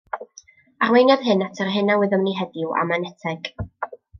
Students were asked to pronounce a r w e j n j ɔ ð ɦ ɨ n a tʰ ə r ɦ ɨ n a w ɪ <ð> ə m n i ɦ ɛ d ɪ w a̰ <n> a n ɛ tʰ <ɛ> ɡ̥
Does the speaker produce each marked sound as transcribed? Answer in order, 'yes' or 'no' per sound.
yes, no, yes

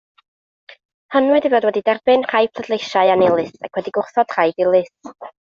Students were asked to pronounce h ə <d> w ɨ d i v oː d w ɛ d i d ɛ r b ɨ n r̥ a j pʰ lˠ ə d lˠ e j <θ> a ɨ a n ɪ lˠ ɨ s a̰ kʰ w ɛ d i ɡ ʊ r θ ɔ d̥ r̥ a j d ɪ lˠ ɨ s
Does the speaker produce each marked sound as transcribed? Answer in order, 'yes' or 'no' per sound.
no, no

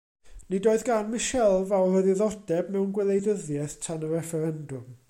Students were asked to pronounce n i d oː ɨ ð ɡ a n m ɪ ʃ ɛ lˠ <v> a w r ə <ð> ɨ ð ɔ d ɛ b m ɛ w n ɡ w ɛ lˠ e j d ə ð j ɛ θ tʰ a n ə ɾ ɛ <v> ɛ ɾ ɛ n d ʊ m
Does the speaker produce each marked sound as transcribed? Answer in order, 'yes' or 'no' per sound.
yes, yes, no

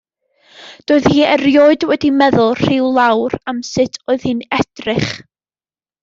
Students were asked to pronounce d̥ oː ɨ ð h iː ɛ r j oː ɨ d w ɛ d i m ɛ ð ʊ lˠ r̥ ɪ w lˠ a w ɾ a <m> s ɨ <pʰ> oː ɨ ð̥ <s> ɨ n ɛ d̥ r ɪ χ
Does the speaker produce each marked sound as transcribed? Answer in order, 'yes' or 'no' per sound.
yes, no, no

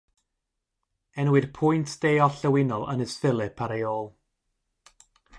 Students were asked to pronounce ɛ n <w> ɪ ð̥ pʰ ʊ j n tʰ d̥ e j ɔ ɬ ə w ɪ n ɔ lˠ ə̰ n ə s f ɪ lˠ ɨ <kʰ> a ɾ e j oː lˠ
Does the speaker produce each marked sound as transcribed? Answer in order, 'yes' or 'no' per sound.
yes, no

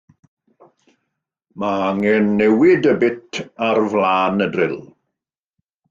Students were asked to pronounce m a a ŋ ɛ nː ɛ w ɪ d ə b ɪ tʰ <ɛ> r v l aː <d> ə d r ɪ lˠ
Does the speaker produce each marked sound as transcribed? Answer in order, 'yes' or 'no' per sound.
no, no

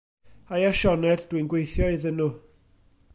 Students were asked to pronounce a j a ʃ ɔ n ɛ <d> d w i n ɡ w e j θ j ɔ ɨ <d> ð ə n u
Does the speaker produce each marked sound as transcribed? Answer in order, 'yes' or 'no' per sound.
yes, no

